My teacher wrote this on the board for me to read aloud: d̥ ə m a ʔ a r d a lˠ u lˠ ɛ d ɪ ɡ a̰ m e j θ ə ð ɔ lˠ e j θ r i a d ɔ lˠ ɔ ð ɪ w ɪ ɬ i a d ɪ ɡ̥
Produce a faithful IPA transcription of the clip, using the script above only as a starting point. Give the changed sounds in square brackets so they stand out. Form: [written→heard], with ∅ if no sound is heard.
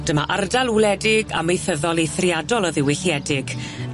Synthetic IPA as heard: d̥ ə m a ʔ a r d a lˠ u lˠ ɛ d ɪ ɡ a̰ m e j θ ə ð ɔ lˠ e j θ r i a d ɔ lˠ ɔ ð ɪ w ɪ ɬ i [a→ɛ] d ɪ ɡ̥

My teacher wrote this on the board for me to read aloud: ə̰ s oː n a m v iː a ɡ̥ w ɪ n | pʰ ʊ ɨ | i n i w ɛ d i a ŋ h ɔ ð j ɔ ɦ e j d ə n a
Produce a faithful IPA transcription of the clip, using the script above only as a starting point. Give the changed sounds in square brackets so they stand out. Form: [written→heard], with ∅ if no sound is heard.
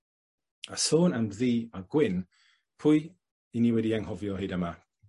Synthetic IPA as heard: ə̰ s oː n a m [v→ð] iː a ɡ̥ w ɪ n | pʰ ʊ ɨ | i n i w ɛ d i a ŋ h ɔ [ð→v] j ɔ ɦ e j d ə [n→m] a

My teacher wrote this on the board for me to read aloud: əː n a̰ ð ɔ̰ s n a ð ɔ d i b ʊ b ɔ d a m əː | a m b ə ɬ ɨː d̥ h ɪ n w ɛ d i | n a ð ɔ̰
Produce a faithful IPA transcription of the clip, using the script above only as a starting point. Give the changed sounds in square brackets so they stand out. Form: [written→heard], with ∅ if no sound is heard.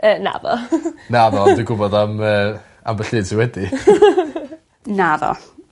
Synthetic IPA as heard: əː n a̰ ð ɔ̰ [s→∅] n a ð ɔ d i [b→ɡ] ʊ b ɔ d a m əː | a m b ə ɬ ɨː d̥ [h→s] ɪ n w ɛ d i | n a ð ɔ̰

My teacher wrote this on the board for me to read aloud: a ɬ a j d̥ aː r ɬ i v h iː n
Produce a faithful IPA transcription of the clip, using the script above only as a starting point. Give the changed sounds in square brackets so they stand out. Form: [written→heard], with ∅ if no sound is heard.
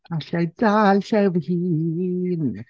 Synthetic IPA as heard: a ɬ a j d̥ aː [r→l] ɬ [i→ɛ] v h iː n

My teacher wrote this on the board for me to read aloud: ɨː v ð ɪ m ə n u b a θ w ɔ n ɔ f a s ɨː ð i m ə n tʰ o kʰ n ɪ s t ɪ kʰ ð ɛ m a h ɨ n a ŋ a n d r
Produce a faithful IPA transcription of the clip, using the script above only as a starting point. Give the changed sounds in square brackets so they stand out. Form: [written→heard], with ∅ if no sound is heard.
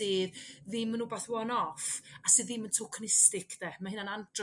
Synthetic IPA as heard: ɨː [v→ð] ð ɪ m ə n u b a θ w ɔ n ɔ f a s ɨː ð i m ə n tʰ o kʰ n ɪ s t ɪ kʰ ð ɛ m a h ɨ n a [ŋ→n] a n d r

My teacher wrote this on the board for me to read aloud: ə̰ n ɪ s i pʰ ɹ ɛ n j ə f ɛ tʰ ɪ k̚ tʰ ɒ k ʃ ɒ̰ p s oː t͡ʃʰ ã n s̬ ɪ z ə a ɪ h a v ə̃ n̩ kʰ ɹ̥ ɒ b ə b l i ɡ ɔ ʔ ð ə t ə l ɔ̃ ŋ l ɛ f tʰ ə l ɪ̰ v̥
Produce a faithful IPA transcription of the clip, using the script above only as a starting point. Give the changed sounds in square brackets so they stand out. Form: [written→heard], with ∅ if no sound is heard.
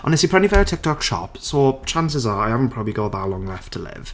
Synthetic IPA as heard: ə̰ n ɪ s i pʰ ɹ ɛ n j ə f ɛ tʰ ɪ k̚ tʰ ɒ k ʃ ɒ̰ p s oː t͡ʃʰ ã n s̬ ɪ z ə a ɪ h a v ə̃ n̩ [kʰ→pʰ] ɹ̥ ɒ b ə b l i ɡ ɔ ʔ ð ə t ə l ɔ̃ ŋ l ɛ f tʰ ə l ɪ̰ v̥

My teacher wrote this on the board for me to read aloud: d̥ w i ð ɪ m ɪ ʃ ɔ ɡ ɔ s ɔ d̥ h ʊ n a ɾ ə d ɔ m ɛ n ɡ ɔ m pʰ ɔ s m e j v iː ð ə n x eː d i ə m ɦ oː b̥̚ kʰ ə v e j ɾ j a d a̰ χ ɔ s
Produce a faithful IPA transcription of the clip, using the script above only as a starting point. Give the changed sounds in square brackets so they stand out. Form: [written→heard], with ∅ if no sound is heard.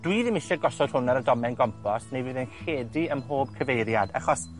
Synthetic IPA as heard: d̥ w i ð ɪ m ɪ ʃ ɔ ɡ ɔ s ɔ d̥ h ʊ n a ɾ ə d ɔ m ɛ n ɡ ɔ m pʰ ɔ s [m→n] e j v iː ð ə n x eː d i ə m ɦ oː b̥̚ kʰ ə v e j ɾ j a d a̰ χ ɔ s

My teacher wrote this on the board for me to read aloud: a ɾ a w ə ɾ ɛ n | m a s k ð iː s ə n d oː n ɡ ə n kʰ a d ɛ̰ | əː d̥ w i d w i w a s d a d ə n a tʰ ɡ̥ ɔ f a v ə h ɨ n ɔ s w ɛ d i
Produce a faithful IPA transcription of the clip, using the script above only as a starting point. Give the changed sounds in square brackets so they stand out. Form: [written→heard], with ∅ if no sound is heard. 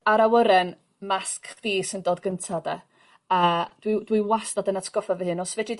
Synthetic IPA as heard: a ɾ a w ə ɾ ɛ n | m a s k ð iː s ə n d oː [n→d] ɡ ə n [kʰ→tʰ] a d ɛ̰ | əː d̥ w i d w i w a s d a d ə n a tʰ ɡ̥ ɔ f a v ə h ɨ n ɔ s [w→v] ɛ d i

